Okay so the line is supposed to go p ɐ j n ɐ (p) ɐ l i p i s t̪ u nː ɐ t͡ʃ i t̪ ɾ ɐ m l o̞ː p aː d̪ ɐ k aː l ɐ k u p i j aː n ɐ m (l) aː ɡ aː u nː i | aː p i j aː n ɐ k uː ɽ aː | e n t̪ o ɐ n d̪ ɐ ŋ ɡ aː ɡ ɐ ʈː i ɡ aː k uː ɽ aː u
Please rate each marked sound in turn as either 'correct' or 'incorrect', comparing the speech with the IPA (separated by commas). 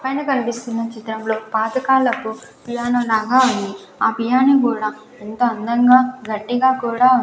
incorrect, correct